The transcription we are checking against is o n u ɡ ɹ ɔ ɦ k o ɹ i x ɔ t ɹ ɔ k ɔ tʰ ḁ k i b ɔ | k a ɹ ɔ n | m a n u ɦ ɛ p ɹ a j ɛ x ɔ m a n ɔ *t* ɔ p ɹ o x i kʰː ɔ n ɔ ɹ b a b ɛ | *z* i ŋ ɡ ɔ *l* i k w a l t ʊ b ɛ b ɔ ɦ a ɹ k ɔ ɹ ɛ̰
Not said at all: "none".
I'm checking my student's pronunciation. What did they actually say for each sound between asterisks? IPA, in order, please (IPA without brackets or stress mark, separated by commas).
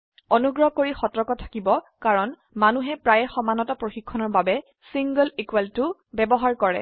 t, s, l